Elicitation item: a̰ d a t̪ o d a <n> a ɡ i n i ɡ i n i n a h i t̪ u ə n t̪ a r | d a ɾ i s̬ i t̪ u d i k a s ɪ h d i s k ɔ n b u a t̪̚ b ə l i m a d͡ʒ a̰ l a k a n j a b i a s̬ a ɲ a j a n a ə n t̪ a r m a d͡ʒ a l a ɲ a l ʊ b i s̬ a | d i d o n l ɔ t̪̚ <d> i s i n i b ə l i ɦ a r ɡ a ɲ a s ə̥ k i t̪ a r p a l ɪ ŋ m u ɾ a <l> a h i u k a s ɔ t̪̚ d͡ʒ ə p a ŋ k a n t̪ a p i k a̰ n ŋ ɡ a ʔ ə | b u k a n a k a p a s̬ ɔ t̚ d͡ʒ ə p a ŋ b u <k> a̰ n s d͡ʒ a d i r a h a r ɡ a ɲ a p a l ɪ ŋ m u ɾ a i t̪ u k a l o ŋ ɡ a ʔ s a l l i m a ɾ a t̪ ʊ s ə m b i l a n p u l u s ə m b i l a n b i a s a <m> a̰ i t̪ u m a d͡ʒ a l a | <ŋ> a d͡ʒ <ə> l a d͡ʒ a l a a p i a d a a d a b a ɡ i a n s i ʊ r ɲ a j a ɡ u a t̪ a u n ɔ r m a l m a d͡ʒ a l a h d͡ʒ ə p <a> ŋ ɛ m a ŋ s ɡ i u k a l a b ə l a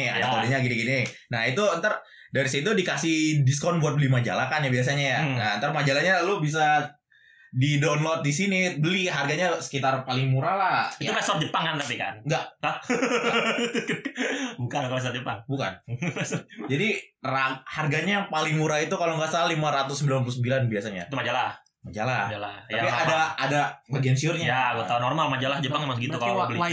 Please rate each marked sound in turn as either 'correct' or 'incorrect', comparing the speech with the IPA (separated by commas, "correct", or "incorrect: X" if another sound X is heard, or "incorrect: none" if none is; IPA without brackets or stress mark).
incorrect: ɲ, correct, correct, correct, incorrect: ɲ, incorrect: m, incorrect: a, correct